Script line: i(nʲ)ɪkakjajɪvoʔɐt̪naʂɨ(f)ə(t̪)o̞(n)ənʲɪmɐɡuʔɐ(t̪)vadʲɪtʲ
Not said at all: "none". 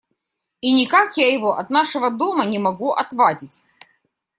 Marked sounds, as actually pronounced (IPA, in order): nʲ, v, d̪, m, t̪

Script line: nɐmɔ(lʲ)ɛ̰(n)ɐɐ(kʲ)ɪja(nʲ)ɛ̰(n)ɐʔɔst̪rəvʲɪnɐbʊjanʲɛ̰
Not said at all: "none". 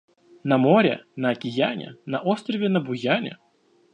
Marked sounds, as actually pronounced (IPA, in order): ɾʲ, n, kʲ, nʲ, n

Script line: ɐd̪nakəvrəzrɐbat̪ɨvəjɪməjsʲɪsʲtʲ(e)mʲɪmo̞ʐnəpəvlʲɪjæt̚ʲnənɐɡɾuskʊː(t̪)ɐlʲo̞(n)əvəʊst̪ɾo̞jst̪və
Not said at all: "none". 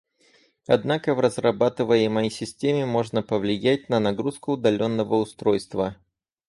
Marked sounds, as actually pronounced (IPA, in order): e, d̪, nː

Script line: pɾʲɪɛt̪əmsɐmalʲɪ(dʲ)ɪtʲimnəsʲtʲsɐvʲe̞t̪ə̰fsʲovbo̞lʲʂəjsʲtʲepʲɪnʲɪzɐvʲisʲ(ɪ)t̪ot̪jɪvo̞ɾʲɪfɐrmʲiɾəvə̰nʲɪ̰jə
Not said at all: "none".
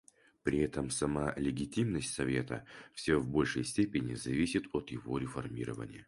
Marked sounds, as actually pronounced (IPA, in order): ɡʲ, ɪ

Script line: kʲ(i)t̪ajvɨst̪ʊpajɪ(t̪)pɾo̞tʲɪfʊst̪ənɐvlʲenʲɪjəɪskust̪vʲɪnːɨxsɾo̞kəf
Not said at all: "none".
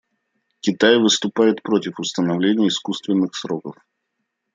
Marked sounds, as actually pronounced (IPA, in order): ɪ, t̪

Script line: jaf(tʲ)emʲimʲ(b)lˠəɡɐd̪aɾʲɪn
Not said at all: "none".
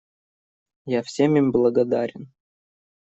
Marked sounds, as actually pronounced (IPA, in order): sʲ, b

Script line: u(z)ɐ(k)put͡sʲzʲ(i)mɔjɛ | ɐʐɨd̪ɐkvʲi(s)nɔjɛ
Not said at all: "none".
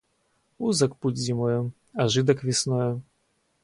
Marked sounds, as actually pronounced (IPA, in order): z, k, i, s

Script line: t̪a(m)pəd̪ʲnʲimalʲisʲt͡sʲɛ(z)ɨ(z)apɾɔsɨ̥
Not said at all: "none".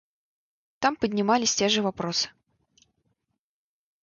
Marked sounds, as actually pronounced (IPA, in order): m, ʐ, v

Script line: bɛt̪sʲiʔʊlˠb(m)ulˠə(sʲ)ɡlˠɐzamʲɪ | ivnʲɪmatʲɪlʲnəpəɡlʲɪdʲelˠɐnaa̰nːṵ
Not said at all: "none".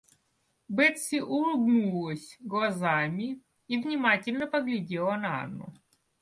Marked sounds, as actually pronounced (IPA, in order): n, sʲ

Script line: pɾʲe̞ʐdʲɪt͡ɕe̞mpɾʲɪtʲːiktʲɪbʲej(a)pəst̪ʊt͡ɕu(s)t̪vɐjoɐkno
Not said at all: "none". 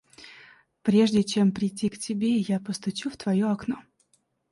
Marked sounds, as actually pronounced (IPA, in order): a, f

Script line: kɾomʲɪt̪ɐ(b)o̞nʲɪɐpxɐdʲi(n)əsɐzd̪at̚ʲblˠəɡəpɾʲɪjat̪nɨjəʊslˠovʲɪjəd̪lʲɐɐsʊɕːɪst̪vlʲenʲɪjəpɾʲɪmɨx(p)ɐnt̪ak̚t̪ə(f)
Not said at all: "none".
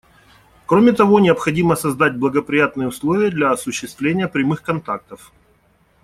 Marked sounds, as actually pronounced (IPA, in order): v, m, k, f

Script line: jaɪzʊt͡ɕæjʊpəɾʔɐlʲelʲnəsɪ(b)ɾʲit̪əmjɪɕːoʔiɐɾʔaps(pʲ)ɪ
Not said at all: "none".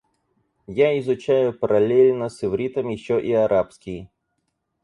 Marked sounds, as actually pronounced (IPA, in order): v, kʲ

